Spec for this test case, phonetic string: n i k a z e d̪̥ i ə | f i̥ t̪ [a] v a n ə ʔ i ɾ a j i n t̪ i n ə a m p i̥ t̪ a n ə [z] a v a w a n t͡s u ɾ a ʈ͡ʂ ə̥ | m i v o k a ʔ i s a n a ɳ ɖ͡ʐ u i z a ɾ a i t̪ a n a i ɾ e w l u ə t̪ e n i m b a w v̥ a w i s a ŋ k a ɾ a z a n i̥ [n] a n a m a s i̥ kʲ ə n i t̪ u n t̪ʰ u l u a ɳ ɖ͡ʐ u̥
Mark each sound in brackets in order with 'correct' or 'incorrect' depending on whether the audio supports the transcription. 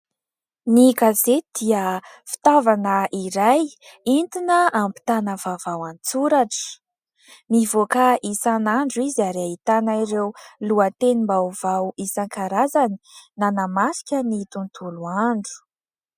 correct, incorrect: v, correct

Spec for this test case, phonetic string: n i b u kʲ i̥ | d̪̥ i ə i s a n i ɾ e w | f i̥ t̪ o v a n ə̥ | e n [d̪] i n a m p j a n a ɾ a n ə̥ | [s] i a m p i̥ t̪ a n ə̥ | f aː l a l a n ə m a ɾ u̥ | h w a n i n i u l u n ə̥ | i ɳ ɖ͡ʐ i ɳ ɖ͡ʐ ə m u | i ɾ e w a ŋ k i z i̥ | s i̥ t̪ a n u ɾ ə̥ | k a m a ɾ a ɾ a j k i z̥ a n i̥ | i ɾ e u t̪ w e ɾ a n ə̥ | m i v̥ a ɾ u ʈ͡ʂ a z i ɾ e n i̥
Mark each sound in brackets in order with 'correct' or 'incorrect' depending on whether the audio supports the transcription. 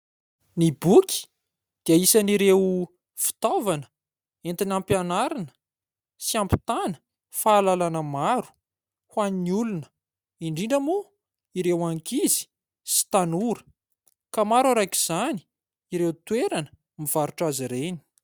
incorrect: t̪, correct

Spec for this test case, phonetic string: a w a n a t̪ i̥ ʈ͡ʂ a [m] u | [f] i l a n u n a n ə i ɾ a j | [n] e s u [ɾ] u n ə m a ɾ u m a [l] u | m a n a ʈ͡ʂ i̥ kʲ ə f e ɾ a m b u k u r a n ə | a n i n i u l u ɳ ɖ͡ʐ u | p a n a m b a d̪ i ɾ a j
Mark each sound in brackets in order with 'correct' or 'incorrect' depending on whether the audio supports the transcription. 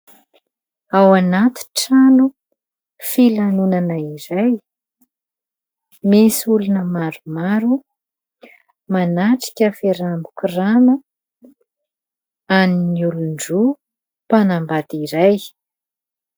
incorrect: n, correct, incorrect: m, incorrect: l, incorrect: ɾ

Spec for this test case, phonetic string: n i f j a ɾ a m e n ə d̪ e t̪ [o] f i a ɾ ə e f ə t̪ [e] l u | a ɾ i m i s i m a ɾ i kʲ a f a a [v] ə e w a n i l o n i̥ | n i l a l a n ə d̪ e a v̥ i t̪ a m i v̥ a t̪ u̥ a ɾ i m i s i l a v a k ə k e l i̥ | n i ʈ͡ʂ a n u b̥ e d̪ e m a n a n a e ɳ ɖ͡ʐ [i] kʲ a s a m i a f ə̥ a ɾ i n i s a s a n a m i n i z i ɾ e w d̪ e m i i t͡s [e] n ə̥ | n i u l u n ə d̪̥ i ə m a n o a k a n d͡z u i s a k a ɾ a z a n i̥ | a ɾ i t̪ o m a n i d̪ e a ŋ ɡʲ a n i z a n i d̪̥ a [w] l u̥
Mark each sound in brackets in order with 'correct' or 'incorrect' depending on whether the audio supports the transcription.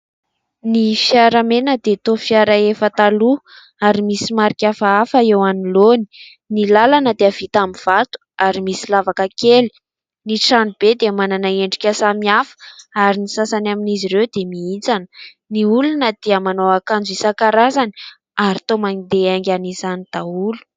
correct, incorrect: a, incorrect: f, correct, incorrect: a, incorrect: u

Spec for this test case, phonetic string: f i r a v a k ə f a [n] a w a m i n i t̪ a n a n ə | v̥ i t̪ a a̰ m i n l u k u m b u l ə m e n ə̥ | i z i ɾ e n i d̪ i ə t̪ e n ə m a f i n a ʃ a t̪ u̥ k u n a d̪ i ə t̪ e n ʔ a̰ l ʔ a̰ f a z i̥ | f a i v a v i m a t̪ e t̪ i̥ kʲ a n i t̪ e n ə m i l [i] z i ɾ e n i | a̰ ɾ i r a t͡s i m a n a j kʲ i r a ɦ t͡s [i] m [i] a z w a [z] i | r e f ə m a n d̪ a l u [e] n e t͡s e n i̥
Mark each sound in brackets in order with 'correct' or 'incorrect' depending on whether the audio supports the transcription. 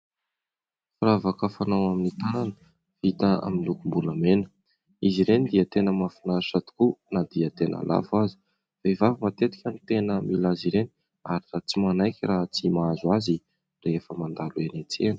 correct, incorrect: a, correct, incorrect: a, correct, correct

